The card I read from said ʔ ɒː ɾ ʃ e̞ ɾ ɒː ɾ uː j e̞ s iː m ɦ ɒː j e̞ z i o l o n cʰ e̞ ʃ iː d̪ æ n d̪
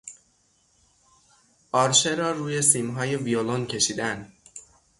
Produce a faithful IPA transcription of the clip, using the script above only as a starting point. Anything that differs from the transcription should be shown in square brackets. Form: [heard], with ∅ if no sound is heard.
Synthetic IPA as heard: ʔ ɒː ɾ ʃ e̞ ɾ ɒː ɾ uː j e̞ s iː m ɦ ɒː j e̞ [v] i o l o n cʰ e̞ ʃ iː d̪ æ n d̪